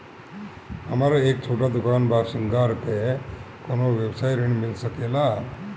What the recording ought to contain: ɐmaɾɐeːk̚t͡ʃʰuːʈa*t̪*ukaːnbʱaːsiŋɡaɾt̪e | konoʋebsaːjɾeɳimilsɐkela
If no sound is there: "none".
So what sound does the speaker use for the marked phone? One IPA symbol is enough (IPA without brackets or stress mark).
d̪